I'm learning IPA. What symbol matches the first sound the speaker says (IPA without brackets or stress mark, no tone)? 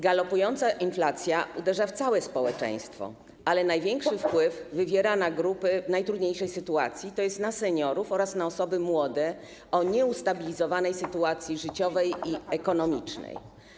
ɡ